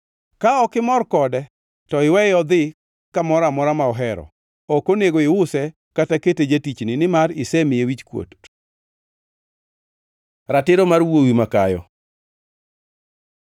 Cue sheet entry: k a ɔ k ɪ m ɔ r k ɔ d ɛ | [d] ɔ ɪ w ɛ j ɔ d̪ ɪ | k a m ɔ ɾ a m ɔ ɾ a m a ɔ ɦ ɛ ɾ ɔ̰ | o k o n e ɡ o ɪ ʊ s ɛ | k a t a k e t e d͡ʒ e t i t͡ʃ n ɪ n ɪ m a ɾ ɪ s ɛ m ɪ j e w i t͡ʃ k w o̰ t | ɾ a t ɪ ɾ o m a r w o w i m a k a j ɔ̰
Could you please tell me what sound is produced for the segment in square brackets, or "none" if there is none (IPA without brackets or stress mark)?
t